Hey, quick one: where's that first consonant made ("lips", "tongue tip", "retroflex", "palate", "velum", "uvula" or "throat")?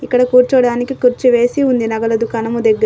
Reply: velum